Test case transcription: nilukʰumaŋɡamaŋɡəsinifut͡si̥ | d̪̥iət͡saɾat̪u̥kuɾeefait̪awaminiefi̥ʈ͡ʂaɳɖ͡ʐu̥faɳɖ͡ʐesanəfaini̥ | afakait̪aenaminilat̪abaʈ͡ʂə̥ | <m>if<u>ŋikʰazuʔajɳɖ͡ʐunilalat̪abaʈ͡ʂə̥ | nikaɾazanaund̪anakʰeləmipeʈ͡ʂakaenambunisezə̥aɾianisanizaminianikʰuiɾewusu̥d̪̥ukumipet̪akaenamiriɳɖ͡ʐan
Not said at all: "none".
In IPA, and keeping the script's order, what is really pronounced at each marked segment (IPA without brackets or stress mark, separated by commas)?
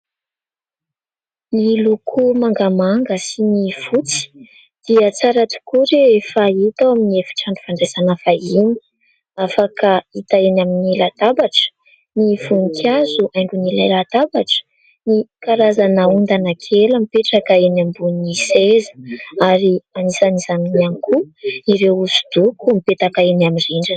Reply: n, u